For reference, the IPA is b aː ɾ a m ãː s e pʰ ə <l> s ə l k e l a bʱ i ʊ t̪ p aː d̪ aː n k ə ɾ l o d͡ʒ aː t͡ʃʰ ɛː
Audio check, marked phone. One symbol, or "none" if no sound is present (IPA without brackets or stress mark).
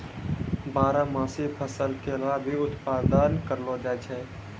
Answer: none